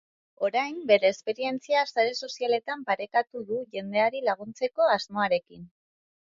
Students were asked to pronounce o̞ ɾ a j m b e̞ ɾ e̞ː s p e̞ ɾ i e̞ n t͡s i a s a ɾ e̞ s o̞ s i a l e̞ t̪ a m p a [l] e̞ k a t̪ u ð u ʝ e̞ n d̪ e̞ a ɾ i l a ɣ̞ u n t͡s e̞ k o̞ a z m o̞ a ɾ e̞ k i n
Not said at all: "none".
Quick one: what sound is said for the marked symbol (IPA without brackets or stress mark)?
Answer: ɾ